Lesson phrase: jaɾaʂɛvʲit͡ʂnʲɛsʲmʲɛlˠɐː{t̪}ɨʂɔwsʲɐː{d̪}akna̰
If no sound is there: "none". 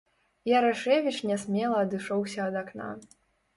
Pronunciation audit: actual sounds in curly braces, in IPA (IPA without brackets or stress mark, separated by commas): d̪, d̪